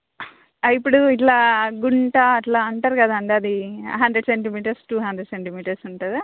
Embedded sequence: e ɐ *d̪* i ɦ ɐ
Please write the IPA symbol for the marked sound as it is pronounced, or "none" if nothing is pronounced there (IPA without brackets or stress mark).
d̪